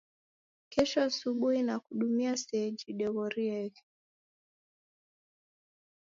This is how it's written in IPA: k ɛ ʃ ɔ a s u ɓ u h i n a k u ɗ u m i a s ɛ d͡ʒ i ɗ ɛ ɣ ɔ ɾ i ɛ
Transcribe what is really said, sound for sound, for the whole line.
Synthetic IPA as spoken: k ɛ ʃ ɔ a s u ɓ u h i n a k u ɗ u m i a s ɛ d͡ʒ i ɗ ɛ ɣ ɔ ɾ i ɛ